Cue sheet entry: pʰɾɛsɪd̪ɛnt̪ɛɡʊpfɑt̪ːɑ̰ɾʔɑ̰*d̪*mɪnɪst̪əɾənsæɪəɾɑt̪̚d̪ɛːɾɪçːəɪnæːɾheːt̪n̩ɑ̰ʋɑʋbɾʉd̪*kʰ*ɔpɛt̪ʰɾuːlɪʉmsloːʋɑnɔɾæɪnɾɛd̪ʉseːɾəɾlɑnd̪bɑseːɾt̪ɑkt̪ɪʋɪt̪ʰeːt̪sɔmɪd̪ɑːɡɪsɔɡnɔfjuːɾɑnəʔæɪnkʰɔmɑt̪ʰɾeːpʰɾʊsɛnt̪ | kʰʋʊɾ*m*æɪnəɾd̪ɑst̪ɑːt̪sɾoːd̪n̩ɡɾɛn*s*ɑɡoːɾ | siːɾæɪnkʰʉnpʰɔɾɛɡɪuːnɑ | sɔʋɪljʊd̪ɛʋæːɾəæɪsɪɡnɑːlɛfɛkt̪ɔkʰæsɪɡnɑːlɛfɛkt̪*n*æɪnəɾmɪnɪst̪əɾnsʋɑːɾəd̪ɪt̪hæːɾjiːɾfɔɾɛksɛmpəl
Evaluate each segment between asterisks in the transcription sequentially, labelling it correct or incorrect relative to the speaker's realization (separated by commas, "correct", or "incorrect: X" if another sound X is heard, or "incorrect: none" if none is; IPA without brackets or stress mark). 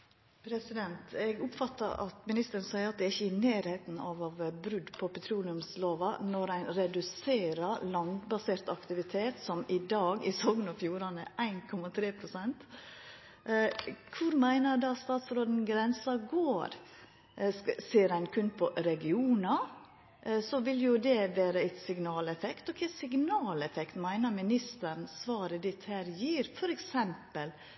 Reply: incorrect: t̪, incorrect: pʰ, correct, correct, incorrect: m